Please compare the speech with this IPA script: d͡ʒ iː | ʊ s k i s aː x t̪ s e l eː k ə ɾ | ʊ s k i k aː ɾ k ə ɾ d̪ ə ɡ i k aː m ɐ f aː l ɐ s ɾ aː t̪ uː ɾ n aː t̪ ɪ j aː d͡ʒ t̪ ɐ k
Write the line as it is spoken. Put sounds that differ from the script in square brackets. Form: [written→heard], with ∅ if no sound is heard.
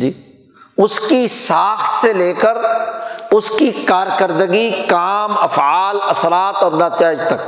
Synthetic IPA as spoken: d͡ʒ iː | ʊ s k i s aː x t̪ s e l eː k ə ɾ | ʊ s k i k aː ɾ k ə ɾ d̪ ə ɡ i k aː m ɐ f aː l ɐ s ɾ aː t̪ [uː→ɔː] ɾ n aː t̪ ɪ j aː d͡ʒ t̪ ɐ k